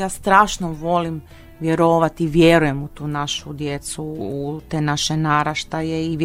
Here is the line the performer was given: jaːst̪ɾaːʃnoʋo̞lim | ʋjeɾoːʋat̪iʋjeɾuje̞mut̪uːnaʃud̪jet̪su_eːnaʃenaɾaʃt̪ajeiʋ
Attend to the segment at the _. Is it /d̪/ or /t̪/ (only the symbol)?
t̪